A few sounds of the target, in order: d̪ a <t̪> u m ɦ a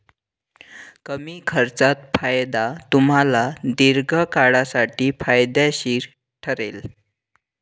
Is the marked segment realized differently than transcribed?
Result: no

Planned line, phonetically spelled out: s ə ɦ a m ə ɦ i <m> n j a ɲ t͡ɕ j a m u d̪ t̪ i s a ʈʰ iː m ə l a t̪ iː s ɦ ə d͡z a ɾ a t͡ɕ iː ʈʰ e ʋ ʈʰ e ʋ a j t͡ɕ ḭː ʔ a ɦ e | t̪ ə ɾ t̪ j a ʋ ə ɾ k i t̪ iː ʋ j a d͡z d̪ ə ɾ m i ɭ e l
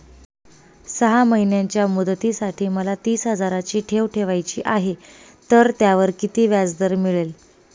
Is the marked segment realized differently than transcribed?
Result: yes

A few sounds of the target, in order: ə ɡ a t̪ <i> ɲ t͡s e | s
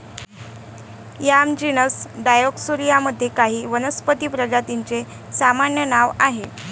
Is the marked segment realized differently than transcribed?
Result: no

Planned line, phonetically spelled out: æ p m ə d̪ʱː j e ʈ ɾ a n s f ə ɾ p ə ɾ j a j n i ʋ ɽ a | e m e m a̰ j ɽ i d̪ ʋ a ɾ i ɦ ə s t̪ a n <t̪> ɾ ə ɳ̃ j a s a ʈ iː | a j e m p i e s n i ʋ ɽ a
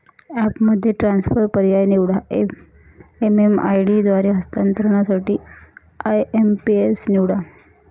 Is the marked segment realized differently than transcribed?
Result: no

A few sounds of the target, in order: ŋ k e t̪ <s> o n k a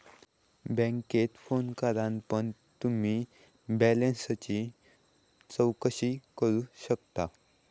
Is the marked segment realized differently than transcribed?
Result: yes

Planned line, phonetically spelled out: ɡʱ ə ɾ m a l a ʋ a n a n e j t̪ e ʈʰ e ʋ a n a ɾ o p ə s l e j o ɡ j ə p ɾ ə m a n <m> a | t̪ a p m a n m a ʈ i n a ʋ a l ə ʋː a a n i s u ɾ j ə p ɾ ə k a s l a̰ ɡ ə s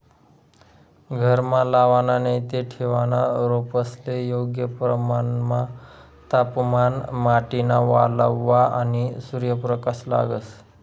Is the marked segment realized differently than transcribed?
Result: no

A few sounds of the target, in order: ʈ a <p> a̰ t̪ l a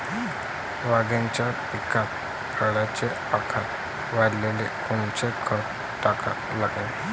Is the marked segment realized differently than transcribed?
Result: yes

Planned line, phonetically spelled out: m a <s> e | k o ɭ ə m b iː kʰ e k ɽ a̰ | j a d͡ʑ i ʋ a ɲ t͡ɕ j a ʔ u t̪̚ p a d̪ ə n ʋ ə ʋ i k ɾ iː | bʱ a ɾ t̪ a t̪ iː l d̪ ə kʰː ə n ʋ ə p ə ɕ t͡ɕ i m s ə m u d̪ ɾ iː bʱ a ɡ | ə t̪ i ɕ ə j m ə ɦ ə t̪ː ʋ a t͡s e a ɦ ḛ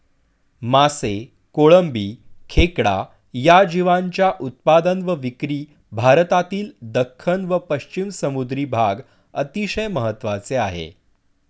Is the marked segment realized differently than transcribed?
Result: no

